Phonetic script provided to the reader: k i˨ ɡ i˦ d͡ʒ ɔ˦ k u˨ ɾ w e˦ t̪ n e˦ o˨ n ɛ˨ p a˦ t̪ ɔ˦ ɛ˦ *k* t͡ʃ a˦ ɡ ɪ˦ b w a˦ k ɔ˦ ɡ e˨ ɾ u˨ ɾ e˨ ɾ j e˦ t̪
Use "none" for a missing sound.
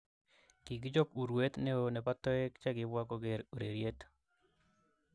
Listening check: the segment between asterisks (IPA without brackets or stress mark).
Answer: k